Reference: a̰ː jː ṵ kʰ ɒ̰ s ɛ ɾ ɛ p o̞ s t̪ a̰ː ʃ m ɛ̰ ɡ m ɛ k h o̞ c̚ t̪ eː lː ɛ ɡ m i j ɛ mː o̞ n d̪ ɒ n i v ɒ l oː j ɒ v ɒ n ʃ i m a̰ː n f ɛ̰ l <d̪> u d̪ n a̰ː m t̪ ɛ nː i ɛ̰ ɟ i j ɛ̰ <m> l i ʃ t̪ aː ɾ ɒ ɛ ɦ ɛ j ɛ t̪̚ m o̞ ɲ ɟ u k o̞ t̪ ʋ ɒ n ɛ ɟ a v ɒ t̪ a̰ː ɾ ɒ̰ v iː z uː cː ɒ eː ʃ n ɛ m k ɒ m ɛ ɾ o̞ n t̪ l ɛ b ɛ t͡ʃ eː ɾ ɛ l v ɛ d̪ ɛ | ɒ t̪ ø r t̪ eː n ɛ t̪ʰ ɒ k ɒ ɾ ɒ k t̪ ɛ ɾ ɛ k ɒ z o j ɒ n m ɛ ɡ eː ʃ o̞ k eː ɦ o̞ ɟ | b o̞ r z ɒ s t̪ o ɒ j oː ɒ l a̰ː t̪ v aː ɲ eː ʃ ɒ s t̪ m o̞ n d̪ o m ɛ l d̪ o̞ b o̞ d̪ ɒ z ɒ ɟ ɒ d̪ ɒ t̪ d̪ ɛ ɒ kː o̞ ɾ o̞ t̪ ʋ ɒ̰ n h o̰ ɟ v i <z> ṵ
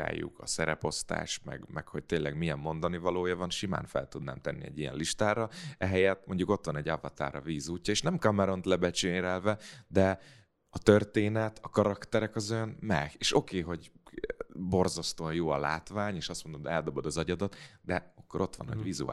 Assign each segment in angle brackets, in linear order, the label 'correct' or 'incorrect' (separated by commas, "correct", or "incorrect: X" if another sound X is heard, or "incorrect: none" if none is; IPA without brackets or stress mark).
incorrect: t̪, incorrect: n, correct